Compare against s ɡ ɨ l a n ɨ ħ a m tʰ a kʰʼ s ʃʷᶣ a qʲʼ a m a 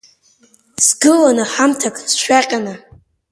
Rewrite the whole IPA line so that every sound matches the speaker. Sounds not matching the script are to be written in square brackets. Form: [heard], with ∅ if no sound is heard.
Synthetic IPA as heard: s ɡ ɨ l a n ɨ ħ a m tʰ a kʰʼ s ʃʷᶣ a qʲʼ a [n] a